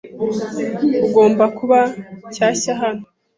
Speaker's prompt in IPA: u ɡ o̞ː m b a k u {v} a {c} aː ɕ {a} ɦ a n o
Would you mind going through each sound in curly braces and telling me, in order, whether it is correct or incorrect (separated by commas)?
incorrect, correct, correct